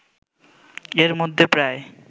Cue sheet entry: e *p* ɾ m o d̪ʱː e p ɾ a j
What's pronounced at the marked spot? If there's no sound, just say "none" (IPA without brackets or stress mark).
none